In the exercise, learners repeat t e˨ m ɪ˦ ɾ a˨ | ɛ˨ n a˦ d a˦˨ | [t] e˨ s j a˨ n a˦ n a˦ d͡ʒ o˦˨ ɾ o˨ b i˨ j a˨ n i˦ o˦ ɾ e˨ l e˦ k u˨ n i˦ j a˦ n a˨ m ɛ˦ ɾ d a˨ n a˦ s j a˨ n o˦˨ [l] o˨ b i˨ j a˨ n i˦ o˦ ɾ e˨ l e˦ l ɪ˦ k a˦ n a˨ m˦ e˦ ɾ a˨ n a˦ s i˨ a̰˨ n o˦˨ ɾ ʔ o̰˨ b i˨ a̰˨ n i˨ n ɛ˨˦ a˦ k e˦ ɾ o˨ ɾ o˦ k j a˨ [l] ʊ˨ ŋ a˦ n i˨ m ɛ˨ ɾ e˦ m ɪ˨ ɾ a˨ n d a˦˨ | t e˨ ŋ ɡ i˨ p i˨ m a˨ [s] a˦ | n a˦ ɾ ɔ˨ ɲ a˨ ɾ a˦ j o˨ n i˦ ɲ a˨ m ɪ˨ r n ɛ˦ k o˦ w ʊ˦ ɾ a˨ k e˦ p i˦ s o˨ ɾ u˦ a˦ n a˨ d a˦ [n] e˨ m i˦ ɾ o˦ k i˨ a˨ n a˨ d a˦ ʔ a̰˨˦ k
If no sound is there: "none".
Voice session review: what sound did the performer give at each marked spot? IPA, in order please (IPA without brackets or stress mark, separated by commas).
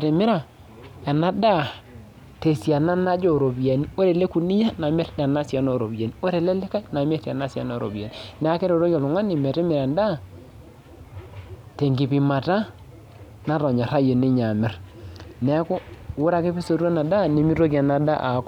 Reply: t, ɾ, l, t, n